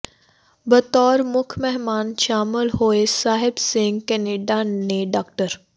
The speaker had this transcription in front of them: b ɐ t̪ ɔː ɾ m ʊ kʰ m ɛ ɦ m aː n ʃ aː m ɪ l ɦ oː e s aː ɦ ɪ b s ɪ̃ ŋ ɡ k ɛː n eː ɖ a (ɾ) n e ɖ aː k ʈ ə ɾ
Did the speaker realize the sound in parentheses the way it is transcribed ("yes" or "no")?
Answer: no